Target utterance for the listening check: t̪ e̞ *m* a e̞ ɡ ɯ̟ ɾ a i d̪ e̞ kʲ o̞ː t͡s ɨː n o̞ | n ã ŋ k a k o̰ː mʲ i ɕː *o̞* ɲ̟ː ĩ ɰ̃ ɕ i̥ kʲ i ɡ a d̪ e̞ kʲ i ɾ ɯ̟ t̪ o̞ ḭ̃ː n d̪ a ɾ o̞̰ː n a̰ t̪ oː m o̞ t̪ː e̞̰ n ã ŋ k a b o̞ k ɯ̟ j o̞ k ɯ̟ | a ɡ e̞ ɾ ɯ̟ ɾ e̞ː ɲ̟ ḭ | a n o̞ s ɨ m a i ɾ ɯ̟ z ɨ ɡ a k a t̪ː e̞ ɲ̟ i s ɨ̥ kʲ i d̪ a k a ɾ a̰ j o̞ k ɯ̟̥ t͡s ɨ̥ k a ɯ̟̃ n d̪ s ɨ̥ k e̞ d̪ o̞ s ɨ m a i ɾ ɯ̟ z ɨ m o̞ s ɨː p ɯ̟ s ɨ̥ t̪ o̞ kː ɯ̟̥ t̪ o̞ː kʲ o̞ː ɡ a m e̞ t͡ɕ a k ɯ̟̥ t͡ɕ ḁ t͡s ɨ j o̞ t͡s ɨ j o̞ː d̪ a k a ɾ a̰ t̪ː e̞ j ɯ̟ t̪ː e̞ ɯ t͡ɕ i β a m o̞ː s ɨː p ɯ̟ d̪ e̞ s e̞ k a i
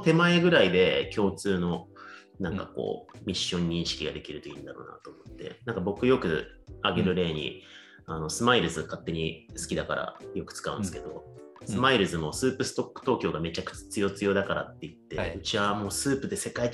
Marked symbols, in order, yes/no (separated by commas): yes, no